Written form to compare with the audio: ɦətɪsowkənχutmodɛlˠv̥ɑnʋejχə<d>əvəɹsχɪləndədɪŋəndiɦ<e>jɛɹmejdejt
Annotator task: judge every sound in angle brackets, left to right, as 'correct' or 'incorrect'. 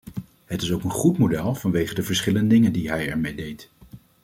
correct, incorrect: ɛ

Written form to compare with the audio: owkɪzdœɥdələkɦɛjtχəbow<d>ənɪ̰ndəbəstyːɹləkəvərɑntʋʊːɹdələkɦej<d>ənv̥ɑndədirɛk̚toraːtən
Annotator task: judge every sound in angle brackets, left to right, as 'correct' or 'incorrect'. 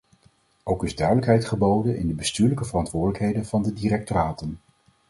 correct, correct

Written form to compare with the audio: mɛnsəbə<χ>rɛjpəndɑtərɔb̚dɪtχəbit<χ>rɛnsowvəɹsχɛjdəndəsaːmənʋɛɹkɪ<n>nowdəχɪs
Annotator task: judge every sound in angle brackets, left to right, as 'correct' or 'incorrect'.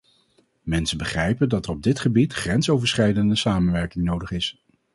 correct, correct, incorrect: ŋ

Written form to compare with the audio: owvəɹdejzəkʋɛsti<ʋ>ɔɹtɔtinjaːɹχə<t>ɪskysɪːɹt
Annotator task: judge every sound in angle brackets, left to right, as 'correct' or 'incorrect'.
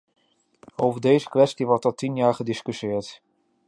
correct, incorrect: d

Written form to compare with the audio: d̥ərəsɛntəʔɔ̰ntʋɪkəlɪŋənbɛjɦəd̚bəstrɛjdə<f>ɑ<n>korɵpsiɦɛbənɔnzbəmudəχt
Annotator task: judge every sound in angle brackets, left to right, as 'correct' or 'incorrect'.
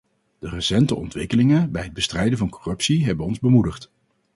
incorrect: v, correct

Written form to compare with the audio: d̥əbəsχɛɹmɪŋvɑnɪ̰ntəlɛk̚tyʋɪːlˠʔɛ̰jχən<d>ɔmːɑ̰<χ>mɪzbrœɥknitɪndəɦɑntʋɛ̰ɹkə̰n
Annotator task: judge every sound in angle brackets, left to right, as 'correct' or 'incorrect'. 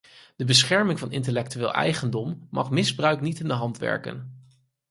correct, correct

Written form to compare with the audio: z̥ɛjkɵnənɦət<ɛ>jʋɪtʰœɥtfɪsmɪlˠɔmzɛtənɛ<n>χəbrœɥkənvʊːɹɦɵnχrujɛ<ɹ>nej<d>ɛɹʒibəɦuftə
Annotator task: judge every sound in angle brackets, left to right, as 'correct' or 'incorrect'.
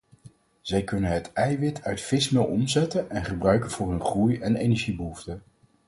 correct, correct, incorrect: none, incorrect: n

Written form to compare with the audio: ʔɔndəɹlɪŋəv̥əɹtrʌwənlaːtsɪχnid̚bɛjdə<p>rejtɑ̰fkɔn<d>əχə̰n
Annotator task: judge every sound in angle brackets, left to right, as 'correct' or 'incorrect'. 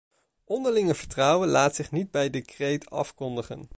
incorrect: k, correct

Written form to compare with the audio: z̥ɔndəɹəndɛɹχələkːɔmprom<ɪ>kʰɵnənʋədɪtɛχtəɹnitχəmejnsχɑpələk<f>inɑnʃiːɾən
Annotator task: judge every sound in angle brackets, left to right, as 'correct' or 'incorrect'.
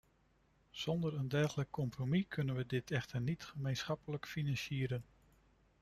incorrect: i, correct

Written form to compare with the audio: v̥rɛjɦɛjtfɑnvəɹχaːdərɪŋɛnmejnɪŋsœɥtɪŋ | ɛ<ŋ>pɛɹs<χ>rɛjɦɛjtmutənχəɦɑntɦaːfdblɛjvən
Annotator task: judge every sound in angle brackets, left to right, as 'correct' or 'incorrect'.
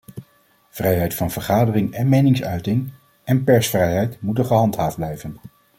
incorrect: n, incorrect: f

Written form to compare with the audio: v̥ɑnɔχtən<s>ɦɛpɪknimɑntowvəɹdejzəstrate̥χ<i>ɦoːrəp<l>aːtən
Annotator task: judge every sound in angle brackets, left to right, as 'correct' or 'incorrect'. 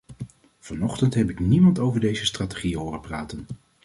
incorrect: t, correct, incorrect: r

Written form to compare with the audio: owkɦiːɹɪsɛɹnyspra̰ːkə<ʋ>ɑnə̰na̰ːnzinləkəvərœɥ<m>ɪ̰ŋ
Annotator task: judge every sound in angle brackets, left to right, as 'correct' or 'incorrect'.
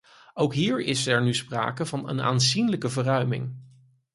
incorrect: v, correct

